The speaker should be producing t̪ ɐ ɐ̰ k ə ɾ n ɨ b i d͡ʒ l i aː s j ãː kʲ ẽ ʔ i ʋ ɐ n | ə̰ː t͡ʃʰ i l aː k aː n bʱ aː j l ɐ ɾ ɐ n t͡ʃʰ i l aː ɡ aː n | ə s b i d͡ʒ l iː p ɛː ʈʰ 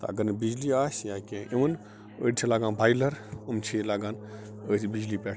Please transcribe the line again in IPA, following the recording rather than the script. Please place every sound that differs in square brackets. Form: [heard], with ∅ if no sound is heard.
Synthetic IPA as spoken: t̪ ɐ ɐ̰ [ɡ] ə ɾ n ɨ b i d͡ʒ l i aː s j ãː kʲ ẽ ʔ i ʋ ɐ n | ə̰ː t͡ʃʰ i l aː [ɡ] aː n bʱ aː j l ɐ ɾ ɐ [m] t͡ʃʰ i l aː ɡ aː n | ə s b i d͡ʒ l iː p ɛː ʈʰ

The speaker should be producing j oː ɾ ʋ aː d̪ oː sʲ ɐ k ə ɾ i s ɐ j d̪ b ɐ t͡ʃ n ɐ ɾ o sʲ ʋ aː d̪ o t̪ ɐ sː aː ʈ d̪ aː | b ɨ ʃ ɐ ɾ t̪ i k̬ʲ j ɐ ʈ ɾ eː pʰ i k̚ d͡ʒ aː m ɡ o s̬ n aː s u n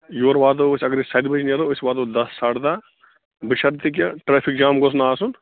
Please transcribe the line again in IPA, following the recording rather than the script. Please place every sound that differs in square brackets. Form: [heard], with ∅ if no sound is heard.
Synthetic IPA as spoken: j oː ɾ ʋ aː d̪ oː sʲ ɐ [ɡ] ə ɾ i s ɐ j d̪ b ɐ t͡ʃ n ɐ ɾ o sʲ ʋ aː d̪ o [d̪] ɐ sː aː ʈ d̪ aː | b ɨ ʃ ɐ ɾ t̪ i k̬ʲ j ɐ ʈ ɾ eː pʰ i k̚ d͡ʒ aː m ɡ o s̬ n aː s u n

